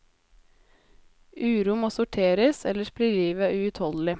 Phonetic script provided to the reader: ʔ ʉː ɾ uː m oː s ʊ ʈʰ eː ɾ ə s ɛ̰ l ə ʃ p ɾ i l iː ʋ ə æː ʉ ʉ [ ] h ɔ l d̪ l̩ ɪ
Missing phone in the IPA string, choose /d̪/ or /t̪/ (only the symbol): t̪